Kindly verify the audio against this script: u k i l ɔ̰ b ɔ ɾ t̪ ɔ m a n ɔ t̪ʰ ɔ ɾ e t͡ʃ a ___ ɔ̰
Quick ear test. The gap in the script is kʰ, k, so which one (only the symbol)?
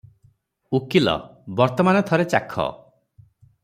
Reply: kʰ